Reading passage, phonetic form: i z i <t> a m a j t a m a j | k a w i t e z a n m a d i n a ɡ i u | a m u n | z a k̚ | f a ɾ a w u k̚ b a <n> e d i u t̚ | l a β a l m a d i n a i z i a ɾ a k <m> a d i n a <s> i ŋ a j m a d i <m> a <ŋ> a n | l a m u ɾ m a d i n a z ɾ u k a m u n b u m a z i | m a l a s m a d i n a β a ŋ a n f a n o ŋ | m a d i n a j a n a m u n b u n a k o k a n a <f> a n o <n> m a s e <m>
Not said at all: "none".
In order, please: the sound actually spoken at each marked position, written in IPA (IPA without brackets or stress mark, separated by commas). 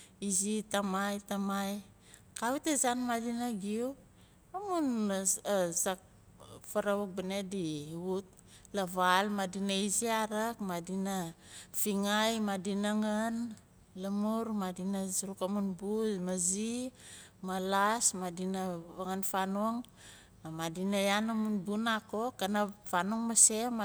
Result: t, n, m, f, n, ŋ, f, ŋ, m